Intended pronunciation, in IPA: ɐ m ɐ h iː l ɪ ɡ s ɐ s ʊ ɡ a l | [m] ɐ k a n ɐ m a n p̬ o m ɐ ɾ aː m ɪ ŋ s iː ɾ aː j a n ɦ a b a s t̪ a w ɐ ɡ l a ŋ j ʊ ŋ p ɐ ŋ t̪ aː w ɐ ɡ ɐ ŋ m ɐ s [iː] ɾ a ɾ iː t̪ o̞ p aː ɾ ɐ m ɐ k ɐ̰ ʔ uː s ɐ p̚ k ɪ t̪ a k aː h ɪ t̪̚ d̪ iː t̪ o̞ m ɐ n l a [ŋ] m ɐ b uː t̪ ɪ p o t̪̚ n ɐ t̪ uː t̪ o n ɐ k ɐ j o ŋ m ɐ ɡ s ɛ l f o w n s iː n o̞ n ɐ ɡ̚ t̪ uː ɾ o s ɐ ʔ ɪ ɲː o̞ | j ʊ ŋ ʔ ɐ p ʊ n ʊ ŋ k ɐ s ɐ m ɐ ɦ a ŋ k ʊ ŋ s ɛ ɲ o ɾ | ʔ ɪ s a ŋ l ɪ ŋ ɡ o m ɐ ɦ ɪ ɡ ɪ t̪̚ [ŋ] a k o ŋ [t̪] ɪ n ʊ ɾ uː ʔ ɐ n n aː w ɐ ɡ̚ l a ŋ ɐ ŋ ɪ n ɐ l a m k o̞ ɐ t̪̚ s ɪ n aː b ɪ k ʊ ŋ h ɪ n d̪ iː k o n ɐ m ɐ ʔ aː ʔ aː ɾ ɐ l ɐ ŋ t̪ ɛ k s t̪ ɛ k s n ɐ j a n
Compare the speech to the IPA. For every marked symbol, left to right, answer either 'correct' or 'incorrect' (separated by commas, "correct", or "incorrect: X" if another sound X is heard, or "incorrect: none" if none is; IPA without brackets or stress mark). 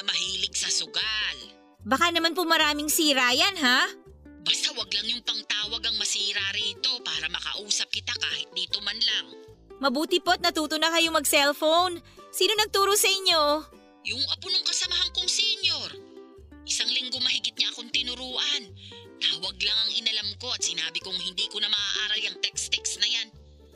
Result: incorrect: b, correct, correct, incorrect: ɲ, correct